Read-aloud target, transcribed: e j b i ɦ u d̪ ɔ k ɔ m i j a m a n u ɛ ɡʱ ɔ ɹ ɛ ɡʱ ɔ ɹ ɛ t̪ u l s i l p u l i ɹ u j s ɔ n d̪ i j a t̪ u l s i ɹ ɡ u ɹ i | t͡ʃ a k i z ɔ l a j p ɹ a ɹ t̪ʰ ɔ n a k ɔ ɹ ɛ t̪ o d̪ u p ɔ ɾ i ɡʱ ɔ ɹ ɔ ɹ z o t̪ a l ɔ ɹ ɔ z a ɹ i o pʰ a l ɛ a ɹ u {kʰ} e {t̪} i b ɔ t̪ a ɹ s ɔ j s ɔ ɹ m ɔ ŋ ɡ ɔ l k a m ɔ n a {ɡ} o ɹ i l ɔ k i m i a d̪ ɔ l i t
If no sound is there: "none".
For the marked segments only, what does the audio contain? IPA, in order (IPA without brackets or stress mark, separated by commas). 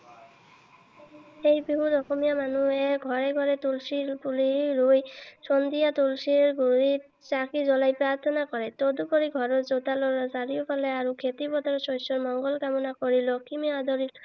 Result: kʰ, t̪, k